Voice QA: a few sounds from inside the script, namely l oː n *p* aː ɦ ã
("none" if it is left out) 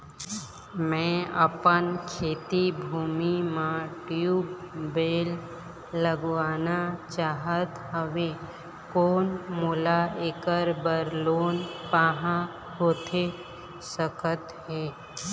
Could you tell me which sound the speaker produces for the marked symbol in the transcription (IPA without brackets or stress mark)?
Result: p